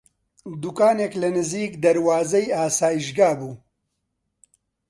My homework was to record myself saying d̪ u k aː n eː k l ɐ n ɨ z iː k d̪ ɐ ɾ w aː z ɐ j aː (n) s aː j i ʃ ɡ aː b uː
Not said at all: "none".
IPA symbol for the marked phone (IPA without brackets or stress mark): none